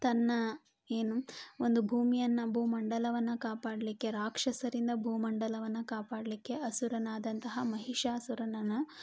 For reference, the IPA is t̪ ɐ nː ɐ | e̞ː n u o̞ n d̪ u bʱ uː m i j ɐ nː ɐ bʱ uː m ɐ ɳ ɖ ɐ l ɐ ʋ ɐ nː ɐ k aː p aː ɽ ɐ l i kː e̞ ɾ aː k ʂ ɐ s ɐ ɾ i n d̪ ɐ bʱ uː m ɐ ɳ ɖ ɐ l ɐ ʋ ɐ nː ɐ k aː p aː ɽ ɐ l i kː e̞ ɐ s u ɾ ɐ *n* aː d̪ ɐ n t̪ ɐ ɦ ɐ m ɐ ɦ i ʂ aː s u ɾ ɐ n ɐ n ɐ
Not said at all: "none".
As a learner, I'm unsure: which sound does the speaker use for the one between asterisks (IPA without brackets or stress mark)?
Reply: n